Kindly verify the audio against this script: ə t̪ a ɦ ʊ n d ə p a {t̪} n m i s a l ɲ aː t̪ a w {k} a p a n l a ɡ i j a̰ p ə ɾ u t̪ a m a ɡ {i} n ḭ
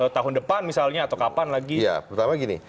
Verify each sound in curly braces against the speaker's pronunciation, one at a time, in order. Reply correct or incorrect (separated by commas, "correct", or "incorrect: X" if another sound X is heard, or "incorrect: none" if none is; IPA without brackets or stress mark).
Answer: incorrect: none, correct, correct